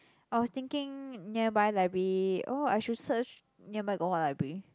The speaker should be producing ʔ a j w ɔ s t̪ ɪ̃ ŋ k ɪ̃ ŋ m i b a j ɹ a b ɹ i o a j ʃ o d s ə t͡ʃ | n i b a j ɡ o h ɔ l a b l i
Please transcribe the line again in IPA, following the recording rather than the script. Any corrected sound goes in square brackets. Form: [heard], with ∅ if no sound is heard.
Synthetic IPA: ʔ a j w ɔ s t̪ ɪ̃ ŋ k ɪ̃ ŋ [n] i b a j [l] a b ɹ i o a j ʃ [u] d s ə t͡ʃ | n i b a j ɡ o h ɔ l a b [ɹ] i